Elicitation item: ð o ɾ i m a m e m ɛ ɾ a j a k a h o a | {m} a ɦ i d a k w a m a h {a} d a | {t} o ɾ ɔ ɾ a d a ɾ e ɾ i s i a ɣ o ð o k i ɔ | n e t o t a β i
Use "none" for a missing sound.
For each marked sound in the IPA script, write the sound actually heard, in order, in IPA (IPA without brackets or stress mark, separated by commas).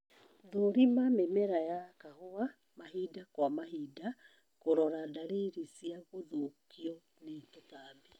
m, i, k